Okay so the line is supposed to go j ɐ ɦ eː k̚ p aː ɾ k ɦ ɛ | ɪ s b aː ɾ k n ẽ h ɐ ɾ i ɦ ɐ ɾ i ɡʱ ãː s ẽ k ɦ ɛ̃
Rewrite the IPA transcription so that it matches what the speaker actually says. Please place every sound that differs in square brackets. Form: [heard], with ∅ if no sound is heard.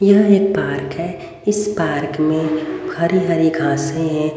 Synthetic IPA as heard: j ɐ ɦ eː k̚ p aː ɾ k ɦ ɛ | ɪ s [p] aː ɾ k [m] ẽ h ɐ ɾ i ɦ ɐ ɾ i ɡʱ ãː s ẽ [∅] ɦ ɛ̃